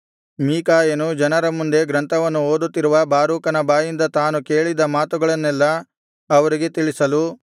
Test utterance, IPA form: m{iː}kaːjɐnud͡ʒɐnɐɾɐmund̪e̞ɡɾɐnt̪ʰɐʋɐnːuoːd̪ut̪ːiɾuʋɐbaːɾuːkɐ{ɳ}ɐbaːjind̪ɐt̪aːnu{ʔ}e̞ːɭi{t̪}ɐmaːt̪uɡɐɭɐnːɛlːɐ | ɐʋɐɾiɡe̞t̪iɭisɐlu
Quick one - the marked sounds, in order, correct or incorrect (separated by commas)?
correct, incorrect, incorrect, incorrect